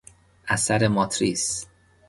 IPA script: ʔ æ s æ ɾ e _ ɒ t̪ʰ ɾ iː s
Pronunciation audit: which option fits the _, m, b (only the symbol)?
m